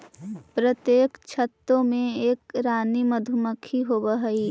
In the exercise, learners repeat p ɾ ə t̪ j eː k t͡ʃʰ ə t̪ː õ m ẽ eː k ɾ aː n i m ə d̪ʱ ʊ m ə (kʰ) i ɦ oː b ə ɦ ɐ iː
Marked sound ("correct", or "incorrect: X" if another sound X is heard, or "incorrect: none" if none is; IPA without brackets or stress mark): correct